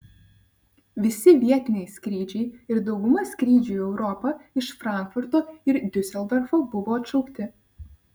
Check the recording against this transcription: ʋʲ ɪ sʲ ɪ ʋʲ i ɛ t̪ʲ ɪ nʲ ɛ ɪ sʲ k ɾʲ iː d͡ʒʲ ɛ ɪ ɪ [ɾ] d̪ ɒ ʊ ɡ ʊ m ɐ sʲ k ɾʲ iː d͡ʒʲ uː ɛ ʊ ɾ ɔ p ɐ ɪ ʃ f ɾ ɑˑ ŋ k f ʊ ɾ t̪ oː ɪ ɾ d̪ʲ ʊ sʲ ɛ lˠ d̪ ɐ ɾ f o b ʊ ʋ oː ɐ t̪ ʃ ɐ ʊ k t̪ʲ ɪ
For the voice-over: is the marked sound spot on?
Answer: yes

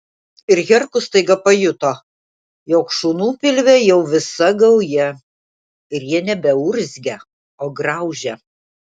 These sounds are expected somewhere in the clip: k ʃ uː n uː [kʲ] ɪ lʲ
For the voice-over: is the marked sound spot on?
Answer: no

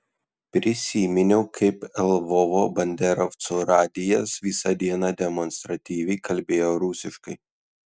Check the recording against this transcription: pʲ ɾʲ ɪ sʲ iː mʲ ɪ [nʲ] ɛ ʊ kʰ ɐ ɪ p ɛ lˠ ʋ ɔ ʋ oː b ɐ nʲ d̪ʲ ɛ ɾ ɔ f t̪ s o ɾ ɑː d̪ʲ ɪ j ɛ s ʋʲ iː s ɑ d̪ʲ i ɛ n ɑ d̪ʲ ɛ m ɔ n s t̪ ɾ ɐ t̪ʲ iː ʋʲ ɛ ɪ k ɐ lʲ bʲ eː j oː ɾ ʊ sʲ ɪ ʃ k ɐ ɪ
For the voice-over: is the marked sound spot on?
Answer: yes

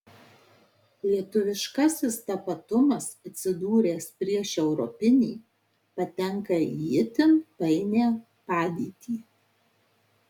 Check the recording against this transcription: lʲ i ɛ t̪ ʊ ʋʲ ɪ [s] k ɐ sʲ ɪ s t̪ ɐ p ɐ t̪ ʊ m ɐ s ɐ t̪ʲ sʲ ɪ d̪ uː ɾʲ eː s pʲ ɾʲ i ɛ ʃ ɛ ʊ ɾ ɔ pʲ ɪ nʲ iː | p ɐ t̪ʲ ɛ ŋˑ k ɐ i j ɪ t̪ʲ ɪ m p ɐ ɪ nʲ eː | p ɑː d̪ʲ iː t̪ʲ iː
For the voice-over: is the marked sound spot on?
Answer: no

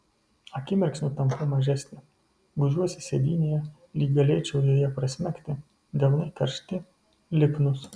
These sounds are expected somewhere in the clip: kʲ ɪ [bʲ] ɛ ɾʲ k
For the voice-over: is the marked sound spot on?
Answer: no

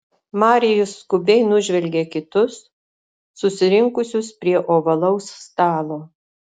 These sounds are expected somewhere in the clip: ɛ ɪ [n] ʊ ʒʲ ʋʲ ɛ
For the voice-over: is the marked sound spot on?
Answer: yes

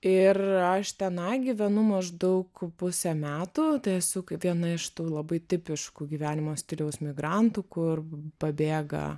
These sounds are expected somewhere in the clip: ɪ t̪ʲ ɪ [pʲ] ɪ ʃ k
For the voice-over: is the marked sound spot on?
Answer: yes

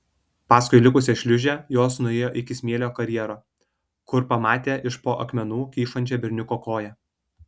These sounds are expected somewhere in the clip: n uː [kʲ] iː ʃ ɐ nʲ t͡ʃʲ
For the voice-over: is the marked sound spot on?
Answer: yes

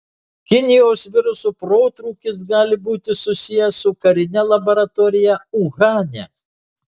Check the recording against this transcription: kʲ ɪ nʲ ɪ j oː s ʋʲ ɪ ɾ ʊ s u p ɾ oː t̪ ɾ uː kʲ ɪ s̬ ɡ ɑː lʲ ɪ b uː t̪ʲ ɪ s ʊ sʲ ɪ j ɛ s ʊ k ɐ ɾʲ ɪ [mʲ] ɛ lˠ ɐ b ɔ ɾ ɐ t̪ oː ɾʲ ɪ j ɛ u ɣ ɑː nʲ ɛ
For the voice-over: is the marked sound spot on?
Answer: no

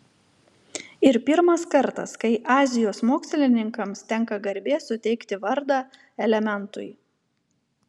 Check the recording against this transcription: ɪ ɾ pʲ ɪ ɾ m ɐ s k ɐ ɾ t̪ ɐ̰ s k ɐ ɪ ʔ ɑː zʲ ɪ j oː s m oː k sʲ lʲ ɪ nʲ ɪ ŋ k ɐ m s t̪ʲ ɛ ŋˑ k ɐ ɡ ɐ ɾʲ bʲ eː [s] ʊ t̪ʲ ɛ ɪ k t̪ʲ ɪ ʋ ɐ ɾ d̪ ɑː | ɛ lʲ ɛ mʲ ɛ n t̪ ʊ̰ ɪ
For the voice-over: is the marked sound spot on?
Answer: yes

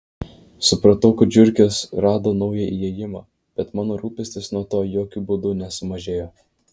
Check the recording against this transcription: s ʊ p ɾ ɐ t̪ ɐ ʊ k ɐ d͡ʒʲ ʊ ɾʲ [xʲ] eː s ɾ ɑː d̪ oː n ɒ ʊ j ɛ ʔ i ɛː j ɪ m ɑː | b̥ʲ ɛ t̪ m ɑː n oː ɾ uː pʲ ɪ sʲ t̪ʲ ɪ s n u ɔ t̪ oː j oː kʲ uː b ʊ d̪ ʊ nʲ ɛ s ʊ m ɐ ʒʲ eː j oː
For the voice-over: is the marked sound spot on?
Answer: no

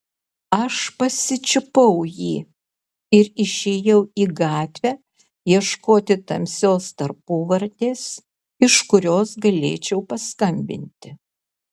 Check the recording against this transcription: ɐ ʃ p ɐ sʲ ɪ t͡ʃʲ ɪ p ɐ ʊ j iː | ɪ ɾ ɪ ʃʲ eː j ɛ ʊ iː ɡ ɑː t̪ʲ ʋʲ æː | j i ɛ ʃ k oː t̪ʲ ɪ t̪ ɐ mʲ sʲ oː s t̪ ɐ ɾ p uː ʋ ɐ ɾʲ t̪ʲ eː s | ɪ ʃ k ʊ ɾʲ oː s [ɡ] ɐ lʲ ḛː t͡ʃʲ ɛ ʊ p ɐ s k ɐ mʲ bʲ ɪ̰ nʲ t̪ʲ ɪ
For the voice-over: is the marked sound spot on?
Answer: yes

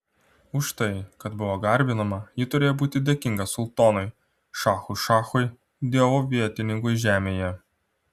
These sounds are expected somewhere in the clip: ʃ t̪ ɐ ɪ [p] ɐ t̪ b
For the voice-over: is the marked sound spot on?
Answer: no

